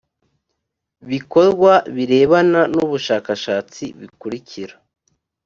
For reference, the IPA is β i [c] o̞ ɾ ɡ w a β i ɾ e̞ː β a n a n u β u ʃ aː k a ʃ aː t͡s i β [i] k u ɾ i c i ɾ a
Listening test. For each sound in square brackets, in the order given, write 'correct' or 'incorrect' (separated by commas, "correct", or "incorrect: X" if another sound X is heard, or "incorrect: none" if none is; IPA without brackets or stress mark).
incorrect: k, correct